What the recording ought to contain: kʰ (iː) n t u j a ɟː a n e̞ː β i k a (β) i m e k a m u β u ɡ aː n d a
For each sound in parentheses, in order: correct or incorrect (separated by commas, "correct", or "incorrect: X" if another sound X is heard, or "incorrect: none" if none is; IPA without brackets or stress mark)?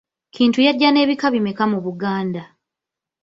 correct, correct